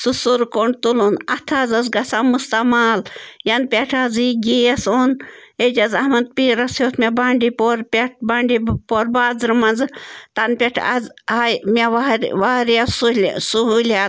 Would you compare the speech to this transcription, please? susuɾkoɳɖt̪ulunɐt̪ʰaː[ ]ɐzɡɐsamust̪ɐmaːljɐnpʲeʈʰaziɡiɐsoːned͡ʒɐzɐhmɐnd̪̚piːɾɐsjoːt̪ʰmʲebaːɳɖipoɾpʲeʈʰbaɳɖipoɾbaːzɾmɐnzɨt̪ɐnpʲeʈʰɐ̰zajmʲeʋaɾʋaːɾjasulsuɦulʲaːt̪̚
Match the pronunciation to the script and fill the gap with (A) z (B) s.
A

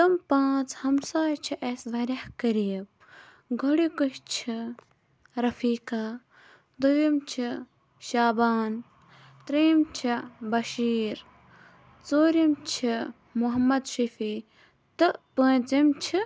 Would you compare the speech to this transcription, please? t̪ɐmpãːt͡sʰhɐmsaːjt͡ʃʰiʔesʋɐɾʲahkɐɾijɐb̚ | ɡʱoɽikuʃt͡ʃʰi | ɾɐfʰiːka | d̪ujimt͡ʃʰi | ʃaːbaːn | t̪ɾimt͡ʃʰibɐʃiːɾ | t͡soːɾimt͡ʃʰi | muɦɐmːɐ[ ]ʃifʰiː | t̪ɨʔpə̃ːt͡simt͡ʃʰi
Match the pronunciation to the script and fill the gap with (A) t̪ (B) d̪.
B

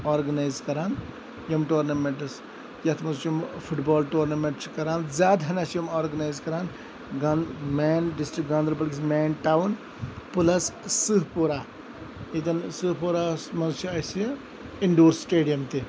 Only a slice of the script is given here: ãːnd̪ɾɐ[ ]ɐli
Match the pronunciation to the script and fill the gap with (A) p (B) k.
A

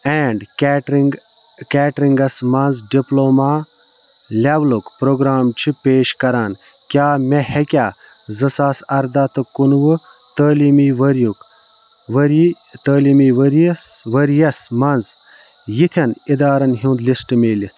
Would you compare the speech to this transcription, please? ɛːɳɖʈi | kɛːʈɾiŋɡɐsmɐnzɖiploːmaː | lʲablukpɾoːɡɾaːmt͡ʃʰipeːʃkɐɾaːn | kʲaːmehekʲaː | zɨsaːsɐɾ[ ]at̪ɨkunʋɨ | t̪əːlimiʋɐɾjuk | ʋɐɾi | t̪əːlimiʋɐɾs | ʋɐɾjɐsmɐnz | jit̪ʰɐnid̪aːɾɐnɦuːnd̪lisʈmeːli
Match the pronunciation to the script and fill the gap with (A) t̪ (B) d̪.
B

